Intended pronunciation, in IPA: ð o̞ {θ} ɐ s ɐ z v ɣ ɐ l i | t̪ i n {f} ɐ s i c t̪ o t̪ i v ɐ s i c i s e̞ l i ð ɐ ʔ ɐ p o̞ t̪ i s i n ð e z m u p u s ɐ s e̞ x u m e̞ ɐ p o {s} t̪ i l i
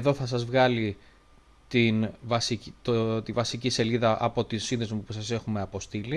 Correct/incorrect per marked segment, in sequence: correct, incorrect: v, correct

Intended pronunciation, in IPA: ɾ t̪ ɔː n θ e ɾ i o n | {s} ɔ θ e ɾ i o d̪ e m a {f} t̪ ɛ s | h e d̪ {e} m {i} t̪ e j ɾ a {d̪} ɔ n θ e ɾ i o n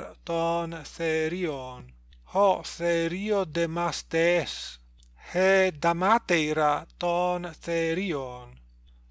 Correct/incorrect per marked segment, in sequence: incorrect: h, incorrect: s, incorrect: a, incorrect: a, incorrect: t̪

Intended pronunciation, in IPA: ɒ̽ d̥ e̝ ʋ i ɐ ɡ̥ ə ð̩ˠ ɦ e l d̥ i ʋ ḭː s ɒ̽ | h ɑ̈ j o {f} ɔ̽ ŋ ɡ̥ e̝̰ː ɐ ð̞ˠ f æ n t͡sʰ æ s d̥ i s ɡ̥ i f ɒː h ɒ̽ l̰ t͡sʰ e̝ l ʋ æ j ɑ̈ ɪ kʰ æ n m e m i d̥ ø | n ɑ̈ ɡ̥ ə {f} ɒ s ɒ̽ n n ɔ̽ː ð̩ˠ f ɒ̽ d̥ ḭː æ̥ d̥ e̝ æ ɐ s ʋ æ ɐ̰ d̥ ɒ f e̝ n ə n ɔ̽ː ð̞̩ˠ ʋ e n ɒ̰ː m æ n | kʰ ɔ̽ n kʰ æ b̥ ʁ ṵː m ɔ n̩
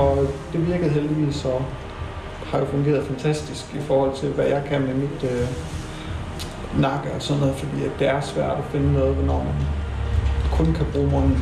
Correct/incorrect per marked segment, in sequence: correct, incorrect: none

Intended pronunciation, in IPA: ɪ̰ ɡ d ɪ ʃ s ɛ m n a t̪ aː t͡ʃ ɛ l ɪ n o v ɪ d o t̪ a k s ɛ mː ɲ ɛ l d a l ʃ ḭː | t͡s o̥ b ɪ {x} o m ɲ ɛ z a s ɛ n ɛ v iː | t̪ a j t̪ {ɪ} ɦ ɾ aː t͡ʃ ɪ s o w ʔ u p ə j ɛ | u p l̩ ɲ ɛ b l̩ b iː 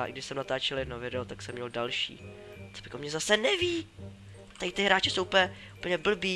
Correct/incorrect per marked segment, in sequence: incorrect: k, correct

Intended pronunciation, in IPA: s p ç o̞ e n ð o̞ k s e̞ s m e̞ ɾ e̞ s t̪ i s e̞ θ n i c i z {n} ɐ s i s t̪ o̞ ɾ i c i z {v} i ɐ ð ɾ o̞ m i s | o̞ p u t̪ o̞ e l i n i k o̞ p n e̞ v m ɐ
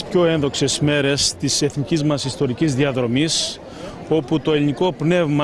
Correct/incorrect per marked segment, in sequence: incorrect: m, incorrect: ð

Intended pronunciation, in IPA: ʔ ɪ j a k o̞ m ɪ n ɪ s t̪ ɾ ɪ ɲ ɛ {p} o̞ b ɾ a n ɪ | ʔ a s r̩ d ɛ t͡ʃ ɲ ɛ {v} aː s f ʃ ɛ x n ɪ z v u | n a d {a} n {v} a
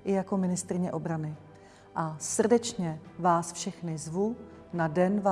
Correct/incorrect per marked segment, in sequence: incorrect: ʔ, correct, incorrect: ɛ, correct

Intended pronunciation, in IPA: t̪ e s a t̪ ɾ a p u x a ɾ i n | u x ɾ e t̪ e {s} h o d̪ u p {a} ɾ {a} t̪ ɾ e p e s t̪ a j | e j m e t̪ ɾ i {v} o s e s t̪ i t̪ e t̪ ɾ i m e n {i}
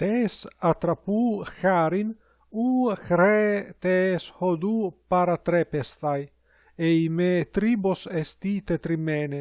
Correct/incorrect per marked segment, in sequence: correct, correct, correct, incorrect: b, incorrect: e

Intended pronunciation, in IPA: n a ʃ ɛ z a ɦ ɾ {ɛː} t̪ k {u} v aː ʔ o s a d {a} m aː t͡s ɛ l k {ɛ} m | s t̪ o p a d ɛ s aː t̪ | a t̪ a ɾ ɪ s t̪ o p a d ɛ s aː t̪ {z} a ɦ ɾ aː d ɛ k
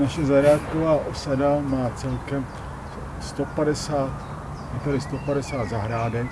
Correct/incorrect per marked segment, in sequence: incorrect: aː, incorrect: o, correct, correct, correct

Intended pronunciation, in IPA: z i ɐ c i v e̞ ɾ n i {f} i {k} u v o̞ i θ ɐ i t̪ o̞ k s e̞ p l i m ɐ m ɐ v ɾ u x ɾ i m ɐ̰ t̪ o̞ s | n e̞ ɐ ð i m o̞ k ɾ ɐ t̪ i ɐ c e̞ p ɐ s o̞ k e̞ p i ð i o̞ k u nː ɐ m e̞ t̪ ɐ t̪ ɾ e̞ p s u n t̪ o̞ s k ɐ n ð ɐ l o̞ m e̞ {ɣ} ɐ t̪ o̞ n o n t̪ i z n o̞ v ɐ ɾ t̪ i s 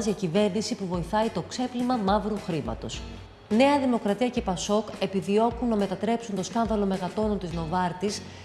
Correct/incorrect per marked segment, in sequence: incorrect: s, incorrect: p, correct

